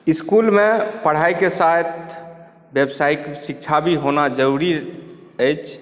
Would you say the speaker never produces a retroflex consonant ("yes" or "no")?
no